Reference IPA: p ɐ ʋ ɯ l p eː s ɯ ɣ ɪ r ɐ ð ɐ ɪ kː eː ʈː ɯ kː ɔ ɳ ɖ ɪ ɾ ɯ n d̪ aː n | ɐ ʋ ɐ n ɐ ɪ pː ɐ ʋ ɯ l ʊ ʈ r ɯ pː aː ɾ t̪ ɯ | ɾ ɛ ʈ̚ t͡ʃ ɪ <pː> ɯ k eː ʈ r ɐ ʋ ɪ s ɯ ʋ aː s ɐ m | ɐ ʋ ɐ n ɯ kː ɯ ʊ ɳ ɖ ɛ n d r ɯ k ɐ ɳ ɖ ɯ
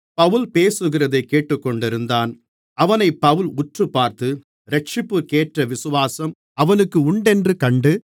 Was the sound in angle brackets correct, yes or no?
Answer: yes